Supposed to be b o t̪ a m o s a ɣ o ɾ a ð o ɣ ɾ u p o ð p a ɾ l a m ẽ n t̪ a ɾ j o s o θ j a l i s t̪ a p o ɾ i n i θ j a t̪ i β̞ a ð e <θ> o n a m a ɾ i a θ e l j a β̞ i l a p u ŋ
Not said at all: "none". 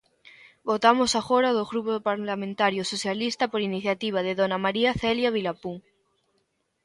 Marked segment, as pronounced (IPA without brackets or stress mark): ð